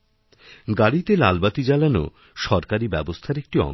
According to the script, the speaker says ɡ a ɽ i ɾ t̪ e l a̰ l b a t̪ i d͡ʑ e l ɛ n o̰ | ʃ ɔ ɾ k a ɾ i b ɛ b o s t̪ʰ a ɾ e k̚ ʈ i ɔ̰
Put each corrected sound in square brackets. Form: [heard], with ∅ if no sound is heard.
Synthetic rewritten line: ɡ a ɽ i [∅] t̪ e l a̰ l b a t̪ i d͡ʑ [a] l [a] n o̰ | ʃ ɔ ɾ k a ɾ i b ɛ b o s t̪ʰ a ɾ e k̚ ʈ i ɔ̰

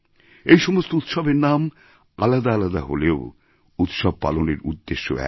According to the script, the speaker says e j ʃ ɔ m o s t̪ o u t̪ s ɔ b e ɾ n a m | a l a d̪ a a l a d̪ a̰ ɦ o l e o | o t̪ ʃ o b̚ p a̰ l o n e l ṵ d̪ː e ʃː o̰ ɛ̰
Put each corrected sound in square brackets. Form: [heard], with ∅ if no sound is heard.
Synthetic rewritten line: e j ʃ ɔ m o s t̪ o u t̪ [ʃ] ɔ b e ɾ n a m | a l a d̪ a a l a d̪ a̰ ɦ o l e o | [u] t̪ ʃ [ɔ] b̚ p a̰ l o n e [ɾ] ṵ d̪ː e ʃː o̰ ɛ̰

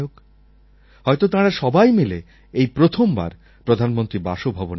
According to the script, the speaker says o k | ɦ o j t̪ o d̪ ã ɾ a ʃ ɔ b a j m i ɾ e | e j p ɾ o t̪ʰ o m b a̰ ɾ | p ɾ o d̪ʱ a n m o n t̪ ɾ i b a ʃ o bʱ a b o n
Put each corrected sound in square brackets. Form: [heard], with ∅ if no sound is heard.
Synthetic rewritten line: o k | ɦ [ɔ] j t̪ o [t̪] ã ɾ a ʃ ɔ b a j m i [l] e | e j p ɾ o t̪ʰ o m b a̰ ɾ | p ɾ o d̪ʱ a n m o n t̪ ɾ i b a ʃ o bʱ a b o n

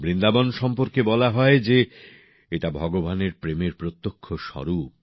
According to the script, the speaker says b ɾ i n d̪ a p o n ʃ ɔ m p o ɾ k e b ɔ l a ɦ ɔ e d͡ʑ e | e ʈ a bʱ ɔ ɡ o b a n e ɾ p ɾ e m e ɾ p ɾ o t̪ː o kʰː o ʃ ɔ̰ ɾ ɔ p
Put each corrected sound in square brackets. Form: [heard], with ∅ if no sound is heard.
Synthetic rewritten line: b ɾ i n d̪ a [b] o n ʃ ɔ m p o ɾ k e b ɔ l a ɦ ɔ e d͡ʑ e | e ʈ a bʱ ɔ ɡ o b a n e ɾ p ɾ e m e ɾ p ɾ o t̪ː o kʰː o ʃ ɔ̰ ɾ [u] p

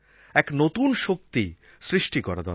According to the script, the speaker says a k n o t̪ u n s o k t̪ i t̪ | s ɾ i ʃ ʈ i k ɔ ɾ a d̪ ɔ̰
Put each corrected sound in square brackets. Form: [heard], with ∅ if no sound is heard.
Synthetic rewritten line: [ɛ] k n o t̪ u n [ʃ] o k t̪ i [∅] | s ɾ i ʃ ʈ i k ɔ ɾ a d̪ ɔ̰

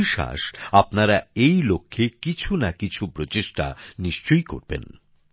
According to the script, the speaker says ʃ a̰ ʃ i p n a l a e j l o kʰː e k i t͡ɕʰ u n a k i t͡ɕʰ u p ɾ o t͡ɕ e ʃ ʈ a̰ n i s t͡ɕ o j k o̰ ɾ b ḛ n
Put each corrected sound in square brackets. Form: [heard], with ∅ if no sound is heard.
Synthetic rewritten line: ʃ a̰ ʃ [a] p n a [ɾ] a e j l o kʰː e k i t͡ɕʰ u n a k i t͡ɕʰ u p ɾ o t͡ɕ e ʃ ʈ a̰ n i [ʃ] t͡ɕ o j k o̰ ɾ b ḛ n

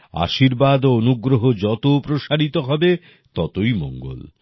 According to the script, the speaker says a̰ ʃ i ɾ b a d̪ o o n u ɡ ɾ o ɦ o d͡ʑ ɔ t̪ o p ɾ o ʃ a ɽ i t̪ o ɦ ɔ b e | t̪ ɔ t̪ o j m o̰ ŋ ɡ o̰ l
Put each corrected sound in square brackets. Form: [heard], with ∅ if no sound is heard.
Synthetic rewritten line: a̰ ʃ i ɾ b a d̪ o o n u ɡ ɾ o ɦ o d͡ʑ ɔ t̪ o p ɾ o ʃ a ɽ i t̪ o ɦ ɔ b e | t̪ ɔ t̪ o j m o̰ ŋ ɡ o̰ l

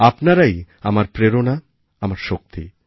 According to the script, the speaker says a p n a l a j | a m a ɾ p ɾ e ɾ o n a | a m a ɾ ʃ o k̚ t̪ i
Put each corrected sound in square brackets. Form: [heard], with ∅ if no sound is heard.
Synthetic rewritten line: a p n a [ɾ] a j | a m a ɾ p ɾ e ɾ o n a | a m a ɾ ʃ o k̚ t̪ i

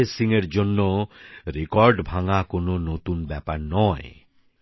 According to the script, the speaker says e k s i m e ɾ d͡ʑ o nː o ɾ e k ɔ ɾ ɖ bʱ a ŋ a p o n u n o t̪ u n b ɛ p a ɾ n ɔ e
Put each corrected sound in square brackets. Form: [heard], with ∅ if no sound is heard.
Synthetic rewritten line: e [∅] s i [ŋ] e ɾ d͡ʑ o nː o ɾ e k ɔ ɾ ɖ bʱ a ŋ a [k] o n [o] n o t̪ u n b ɛ p a ɾ n ɔ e

